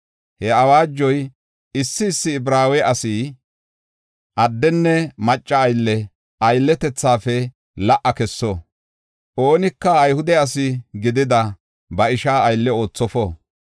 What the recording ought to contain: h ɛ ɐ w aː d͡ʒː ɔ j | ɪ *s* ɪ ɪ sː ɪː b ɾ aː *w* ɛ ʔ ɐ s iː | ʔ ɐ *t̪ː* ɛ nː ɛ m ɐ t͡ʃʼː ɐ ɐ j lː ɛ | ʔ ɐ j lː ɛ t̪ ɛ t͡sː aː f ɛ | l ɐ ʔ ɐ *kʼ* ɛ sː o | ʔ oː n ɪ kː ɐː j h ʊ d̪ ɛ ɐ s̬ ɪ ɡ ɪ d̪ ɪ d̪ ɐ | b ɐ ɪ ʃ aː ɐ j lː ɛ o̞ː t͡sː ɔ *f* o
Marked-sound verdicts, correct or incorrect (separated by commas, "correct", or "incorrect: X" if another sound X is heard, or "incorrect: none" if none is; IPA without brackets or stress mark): incorrect: sː, correct, incorrect: d̪ː, incorrect: k, correct